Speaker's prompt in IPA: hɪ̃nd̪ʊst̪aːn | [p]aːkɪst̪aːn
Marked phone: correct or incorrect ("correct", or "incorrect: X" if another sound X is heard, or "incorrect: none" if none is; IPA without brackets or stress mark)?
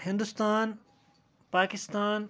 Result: correct